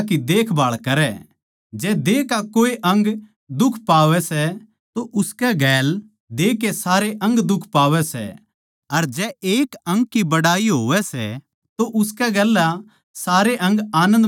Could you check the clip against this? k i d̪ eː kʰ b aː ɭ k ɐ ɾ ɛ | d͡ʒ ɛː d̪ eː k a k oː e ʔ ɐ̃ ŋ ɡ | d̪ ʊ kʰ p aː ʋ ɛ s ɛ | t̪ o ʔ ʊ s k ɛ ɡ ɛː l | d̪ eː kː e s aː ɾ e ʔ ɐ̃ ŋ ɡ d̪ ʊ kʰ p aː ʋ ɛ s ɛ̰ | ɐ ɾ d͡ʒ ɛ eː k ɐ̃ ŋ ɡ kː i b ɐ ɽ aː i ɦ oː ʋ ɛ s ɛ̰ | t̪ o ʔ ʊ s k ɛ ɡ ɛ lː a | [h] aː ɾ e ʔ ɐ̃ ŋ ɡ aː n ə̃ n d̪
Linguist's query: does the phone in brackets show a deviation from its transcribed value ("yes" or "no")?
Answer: yes